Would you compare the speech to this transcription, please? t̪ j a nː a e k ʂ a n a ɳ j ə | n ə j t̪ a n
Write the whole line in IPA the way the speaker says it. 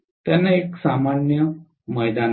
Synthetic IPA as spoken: t̪ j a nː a e k s a m a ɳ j ə | m ə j d̪ a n